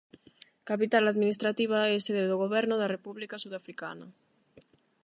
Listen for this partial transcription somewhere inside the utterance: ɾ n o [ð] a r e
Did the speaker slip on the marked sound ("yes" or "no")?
no